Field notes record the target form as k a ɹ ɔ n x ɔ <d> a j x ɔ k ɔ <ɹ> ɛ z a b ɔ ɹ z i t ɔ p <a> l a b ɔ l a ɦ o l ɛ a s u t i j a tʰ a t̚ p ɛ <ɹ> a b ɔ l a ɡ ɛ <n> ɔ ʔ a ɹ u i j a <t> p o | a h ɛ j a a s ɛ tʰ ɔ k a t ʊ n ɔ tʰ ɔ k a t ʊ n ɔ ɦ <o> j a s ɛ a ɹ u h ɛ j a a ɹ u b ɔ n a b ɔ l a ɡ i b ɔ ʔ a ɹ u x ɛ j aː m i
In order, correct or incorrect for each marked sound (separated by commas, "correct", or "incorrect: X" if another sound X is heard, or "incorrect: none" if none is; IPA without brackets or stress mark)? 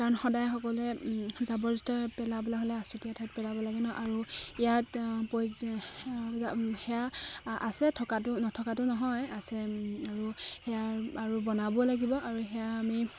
correct, incorrect: l, incorrect: ɛ, incorrect: l, correct, correct, incorrect: ɔ